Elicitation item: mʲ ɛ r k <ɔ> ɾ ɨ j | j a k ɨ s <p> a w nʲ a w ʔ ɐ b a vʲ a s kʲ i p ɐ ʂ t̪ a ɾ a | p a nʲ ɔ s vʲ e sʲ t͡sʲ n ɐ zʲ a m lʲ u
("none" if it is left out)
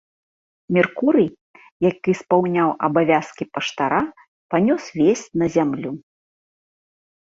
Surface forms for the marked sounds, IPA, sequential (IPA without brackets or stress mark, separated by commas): u, p